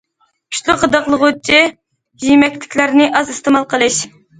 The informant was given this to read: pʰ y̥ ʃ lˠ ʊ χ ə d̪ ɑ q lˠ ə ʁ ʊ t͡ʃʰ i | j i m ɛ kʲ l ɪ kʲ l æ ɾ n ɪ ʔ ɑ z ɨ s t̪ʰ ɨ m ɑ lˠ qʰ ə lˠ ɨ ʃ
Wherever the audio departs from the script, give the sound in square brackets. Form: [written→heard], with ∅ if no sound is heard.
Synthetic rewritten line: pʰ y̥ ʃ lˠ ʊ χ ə d̪ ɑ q lˠ ə ʁ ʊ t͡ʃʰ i | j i m ɛ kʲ l ɪ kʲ l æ ɾ n ɪ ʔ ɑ z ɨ s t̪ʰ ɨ m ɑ lˠ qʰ ə lˠ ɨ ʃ